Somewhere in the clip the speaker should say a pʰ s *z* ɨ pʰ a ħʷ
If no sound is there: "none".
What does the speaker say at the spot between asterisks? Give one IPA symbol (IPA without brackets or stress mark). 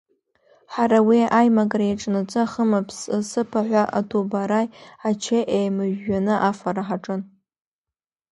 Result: s